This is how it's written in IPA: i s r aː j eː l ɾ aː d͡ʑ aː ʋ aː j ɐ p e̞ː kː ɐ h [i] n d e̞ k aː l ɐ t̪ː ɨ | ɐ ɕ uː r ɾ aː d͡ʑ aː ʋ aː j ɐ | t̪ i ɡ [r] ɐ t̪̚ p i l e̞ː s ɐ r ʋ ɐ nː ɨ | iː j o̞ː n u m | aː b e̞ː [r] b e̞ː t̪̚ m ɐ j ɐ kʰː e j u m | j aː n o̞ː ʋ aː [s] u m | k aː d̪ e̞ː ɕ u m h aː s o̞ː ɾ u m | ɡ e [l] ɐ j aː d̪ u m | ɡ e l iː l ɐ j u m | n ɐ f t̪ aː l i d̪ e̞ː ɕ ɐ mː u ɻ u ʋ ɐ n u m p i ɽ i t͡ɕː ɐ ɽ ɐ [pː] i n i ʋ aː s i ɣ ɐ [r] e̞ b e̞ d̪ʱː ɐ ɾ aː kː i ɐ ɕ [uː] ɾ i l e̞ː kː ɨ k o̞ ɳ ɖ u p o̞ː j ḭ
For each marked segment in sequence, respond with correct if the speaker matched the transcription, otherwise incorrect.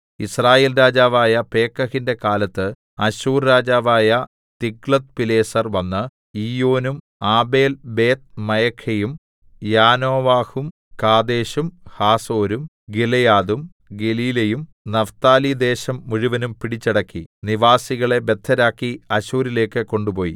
correct, incorrect: ɭ, incorrect: l, incorrect: h, correct, incorrect: kː, incorrect: ɭ, correct

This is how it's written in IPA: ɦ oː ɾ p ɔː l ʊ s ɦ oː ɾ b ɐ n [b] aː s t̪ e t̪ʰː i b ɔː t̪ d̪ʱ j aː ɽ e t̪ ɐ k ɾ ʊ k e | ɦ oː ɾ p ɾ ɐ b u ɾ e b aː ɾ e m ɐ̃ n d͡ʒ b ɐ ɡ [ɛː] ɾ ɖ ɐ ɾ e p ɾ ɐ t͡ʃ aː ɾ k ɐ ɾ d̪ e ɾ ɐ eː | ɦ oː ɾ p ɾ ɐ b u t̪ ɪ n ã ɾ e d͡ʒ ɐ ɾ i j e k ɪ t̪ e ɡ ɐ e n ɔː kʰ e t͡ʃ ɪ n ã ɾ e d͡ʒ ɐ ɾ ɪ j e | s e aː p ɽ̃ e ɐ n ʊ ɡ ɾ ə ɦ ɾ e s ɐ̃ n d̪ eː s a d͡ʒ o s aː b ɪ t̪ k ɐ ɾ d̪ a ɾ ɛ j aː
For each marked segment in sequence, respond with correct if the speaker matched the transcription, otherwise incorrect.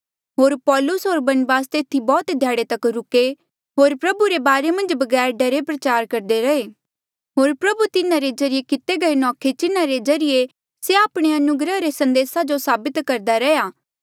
correct, correct

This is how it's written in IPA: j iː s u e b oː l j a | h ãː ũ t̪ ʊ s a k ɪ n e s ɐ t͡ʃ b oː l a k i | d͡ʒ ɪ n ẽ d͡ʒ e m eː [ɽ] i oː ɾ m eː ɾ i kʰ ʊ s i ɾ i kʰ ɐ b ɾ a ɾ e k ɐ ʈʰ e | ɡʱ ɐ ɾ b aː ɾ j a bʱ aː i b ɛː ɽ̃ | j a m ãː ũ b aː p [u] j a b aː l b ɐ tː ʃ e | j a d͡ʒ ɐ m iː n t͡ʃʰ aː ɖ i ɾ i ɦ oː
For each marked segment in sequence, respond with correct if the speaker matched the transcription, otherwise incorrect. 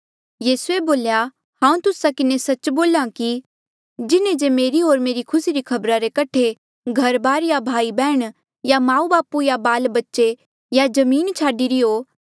incorrect: ɾ, correct

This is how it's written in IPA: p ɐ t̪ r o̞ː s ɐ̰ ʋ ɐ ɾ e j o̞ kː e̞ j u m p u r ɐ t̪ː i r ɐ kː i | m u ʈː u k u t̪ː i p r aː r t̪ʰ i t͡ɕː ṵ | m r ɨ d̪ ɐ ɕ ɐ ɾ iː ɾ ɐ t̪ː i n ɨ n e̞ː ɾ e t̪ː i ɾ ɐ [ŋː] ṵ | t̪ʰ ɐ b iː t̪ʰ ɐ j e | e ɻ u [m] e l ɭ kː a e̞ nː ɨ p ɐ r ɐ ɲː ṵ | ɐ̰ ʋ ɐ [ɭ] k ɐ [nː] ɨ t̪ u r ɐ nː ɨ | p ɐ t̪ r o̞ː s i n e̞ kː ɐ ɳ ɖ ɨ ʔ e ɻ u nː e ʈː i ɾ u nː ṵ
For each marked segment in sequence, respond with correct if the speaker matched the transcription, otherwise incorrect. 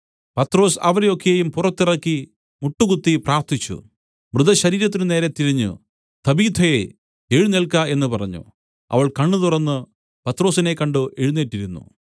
incorrect: ɲː, incorrect: n, correct, incorrect: ɳː

